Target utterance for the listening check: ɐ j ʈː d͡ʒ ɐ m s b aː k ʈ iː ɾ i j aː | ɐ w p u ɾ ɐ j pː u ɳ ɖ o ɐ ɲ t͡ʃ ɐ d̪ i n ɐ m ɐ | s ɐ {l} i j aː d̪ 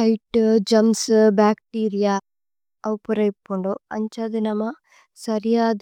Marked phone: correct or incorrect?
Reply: incorrect